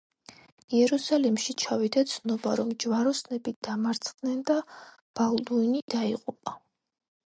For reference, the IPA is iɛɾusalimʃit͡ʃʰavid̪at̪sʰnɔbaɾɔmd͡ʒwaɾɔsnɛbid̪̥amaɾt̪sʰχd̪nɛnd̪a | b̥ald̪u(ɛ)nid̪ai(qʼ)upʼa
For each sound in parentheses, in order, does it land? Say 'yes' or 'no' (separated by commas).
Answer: no, yes